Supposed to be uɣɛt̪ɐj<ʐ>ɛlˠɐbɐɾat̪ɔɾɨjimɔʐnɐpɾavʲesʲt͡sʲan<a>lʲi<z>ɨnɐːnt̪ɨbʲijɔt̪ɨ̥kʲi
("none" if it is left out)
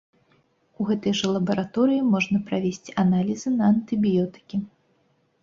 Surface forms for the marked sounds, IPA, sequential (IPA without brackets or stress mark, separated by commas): ʐ, a, z